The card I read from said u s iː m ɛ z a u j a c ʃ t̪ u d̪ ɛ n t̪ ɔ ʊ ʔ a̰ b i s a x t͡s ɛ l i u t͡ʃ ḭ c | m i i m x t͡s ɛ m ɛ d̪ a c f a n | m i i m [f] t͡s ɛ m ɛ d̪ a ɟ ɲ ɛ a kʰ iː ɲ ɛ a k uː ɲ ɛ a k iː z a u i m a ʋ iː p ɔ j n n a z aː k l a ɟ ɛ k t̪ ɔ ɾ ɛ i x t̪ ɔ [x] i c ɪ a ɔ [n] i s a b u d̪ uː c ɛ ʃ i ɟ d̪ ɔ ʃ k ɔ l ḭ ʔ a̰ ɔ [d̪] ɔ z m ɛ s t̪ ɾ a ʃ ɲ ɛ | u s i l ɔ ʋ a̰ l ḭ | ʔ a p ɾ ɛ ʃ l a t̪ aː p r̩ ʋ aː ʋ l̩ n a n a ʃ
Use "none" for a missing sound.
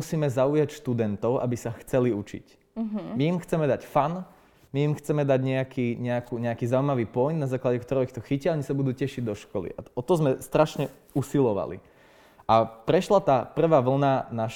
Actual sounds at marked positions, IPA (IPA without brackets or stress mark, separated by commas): x, x, ɲ, t̪